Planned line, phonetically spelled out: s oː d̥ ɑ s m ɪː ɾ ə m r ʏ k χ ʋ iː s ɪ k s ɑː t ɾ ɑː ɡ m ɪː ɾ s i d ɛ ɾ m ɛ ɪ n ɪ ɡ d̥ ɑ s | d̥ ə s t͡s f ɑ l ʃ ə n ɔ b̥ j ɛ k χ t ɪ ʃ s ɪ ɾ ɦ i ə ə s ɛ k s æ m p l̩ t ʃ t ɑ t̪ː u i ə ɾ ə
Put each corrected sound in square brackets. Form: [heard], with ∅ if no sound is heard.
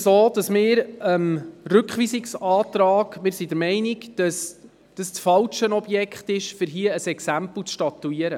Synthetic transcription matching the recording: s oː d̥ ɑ s m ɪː ɾ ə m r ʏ k χ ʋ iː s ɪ k s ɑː t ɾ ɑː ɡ m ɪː ɾ s i d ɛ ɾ m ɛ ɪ n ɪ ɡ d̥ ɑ s | d̥ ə s t͡s f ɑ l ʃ ə n ɔ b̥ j ɛ k χ t ɪ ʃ [f] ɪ ɾ ɦ i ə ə s ɛ k s æ m p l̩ [t͡s] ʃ t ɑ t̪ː u i ə ɾ ə